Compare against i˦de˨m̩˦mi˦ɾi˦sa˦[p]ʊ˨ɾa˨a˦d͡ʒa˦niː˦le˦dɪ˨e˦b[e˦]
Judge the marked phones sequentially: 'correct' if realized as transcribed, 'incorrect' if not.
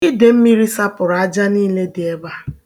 correct, incorrect: a˦

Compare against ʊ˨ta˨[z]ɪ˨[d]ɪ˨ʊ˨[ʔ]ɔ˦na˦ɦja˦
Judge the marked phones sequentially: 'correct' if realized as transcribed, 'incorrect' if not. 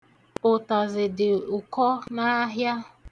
correct, correct, incorrect: k

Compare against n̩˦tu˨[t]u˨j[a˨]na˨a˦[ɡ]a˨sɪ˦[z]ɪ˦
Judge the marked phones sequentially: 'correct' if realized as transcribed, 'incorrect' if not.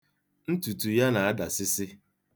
correct, incorrect: a˦, incorrect: d, incorrect: s

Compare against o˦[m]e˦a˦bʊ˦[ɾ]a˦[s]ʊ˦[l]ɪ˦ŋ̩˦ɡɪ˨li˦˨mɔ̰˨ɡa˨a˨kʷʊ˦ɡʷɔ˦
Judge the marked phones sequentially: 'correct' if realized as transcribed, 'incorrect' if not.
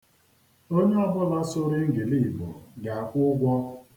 incorrect: ɲ, incorrect: l, correct, incorrect: ɾ

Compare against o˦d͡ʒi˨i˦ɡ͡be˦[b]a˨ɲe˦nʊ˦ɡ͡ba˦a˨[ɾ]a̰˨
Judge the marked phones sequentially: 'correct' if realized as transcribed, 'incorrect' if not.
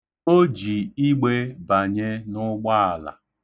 correct, incorrect: l

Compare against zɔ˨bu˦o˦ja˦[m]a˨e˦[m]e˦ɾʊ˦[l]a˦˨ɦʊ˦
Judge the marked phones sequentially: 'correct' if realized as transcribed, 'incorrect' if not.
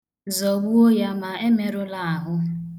correct, correct, correct

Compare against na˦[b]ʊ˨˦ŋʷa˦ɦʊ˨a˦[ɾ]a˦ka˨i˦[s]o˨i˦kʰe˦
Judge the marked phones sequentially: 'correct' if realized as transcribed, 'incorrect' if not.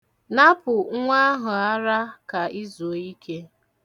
incorrect: p, correct, incorrect: z

